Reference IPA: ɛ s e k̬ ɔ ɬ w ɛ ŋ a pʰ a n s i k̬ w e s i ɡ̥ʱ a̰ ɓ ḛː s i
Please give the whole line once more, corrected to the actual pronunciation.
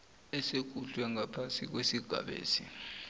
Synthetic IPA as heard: ɛ s e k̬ u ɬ w ɛ ŋ a pʰ a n s i k̬ w e s i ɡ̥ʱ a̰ ɓ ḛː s i